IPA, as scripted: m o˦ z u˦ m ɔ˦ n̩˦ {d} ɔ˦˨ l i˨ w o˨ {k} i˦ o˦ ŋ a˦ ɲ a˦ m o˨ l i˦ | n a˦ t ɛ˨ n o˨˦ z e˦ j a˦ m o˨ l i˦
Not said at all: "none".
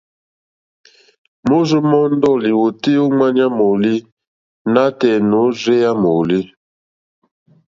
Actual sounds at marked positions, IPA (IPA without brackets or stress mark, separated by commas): d, t